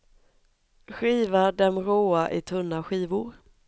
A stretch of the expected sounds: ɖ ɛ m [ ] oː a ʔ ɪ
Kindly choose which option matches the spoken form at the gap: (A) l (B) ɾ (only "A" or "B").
B